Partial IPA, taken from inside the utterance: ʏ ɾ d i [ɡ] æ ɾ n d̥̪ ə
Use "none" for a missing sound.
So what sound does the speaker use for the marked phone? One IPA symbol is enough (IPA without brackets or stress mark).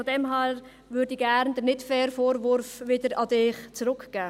ɡ